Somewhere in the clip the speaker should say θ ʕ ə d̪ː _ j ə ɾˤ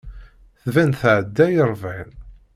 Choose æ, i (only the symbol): æ